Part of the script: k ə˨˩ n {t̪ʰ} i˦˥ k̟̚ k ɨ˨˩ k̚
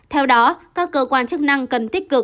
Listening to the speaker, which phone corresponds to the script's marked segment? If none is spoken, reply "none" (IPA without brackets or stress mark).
t̪